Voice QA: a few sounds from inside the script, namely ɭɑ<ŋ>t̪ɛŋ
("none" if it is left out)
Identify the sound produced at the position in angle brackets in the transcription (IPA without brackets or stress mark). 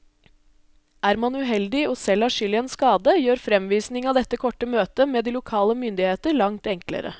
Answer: ŋ